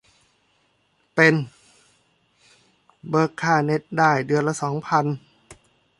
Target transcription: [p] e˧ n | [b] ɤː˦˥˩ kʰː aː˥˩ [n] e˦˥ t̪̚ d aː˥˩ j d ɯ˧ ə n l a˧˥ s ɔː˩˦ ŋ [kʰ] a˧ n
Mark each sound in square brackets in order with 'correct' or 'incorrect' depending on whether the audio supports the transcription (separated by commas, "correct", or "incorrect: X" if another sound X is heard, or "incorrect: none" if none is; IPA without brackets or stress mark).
correct, correct, correct, incorrect: pʰ